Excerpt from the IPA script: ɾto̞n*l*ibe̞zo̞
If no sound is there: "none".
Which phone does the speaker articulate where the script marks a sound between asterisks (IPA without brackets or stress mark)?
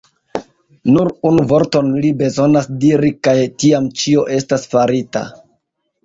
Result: l